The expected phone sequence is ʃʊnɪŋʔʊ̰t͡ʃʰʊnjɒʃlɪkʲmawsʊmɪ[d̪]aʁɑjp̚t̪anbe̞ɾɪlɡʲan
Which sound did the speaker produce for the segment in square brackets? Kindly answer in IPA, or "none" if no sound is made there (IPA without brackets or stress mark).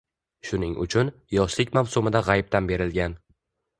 d̪